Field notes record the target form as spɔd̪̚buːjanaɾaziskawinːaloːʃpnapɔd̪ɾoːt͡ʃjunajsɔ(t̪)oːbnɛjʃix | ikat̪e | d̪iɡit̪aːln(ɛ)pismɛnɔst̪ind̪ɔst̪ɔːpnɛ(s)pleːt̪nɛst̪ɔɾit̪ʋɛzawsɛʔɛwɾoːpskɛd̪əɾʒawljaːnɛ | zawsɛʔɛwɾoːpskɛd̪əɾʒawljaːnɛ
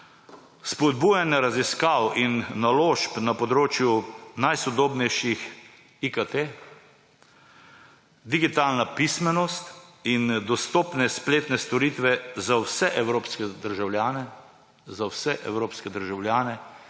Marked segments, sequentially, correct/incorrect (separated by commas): incorrect, incorrect, correct